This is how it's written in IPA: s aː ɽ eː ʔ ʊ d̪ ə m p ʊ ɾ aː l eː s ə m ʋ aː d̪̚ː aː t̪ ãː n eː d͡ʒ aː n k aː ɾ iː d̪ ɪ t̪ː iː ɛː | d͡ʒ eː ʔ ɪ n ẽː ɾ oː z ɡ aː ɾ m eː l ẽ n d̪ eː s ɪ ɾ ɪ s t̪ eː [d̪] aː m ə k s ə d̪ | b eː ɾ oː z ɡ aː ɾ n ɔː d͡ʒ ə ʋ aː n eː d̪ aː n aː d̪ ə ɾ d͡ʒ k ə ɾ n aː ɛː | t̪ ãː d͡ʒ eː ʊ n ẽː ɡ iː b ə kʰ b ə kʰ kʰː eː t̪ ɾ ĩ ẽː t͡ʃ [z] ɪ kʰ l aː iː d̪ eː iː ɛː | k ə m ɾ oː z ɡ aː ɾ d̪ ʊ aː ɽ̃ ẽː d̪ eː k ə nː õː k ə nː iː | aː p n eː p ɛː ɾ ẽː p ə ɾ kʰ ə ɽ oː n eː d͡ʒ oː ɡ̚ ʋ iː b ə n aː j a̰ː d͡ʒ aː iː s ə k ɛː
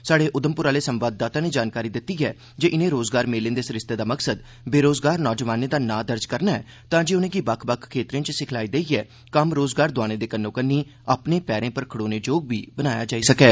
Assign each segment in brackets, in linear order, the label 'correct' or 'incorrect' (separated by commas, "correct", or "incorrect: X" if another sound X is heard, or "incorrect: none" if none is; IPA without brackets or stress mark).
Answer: correct, incorrect: s